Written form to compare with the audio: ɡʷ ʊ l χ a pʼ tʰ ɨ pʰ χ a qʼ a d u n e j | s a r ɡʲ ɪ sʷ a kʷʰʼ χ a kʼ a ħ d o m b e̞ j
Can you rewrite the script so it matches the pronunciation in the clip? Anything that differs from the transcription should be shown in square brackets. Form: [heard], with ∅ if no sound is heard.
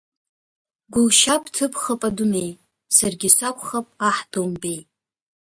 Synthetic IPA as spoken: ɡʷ ʊ l [ʃ] a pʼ tʰ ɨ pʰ χ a [pʼ] a d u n e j | s a r ɡʲ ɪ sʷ a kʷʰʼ χ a [pʼ] a ħ d o m b e̞ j